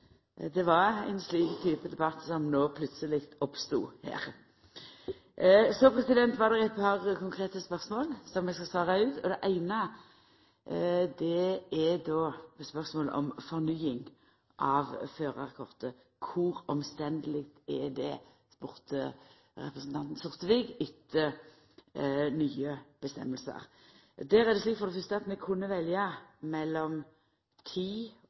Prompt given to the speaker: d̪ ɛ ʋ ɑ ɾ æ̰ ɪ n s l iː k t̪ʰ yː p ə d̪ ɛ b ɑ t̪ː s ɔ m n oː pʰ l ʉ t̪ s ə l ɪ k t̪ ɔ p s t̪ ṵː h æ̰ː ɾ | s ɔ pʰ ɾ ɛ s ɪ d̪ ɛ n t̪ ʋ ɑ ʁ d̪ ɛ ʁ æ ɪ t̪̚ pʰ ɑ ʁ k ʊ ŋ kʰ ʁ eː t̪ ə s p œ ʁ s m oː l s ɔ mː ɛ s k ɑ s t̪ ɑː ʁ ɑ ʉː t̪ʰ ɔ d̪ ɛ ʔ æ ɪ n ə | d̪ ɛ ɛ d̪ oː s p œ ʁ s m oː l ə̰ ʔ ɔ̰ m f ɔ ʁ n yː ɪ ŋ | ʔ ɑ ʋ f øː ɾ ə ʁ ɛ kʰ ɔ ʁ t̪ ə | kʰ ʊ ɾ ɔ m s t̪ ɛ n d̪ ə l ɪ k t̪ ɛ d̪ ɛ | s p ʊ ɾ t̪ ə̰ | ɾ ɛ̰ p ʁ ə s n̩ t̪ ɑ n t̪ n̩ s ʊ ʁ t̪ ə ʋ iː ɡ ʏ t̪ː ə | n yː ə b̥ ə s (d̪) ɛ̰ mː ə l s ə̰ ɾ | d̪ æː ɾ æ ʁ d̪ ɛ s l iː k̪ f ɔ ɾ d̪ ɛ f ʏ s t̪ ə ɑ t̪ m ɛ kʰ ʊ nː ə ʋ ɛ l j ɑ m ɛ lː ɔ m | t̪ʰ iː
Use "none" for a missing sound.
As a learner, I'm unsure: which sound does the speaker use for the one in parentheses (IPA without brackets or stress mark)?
t̪